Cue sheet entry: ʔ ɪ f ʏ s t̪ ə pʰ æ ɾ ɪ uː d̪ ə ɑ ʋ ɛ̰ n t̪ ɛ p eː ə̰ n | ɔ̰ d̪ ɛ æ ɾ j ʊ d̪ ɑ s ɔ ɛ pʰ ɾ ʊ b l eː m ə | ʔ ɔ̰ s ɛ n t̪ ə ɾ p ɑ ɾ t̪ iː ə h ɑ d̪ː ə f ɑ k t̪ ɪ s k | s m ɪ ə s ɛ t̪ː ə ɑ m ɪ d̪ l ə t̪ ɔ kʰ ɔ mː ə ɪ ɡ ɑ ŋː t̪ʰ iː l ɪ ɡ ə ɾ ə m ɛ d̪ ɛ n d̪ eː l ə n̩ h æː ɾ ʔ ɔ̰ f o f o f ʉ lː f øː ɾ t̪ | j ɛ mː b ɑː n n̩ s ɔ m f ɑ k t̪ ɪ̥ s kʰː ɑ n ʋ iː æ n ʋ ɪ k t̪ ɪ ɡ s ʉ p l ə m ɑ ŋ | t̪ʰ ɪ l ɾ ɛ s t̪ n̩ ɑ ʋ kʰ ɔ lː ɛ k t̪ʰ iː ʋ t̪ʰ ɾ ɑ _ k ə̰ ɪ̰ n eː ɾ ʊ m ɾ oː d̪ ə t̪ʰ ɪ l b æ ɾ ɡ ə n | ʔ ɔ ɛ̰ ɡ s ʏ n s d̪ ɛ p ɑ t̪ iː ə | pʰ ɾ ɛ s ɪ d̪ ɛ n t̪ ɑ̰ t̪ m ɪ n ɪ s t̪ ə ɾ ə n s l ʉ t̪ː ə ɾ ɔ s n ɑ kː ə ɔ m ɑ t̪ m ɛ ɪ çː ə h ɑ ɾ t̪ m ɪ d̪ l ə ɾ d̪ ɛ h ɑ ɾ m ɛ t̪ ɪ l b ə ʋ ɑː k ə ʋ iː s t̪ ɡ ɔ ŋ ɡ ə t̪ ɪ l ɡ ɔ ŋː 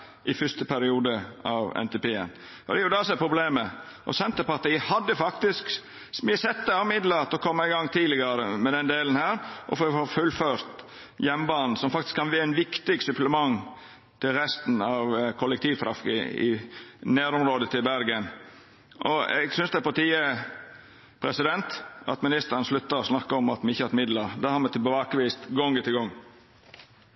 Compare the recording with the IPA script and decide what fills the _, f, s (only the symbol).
f